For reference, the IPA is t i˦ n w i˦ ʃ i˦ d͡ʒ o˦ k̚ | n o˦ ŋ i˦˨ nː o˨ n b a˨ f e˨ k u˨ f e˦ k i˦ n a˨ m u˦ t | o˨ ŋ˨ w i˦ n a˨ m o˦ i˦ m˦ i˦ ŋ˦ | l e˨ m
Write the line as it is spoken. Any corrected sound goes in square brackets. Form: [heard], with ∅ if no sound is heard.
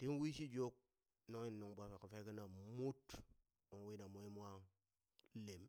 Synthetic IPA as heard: t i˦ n w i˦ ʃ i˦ d͡ʒ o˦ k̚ | n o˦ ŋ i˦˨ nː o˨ [ŋ] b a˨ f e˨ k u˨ f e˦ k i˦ n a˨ m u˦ t | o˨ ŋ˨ w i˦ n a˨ m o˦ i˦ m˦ [a˦] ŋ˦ | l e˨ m